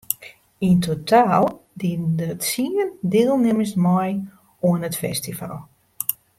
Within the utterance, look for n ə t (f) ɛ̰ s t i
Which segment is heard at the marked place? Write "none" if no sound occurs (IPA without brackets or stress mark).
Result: f